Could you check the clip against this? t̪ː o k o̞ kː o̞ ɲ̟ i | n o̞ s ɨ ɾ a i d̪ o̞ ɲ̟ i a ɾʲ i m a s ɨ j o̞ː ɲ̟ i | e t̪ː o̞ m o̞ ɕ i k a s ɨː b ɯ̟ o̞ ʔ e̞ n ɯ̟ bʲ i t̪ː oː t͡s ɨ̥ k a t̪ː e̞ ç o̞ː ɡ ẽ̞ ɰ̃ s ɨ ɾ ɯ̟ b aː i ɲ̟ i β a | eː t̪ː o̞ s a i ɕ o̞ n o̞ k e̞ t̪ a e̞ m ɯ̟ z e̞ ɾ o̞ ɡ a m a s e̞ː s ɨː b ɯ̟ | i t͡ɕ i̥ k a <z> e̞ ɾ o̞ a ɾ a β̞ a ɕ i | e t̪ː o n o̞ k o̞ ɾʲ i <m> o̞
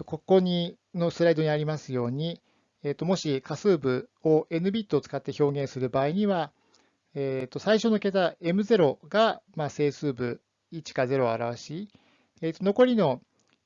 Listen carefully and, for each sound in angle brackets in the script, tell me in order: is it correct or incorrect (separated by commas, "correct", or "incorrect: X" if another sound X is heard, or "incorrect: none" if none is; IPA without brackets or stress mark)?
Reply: correct, incorrect: n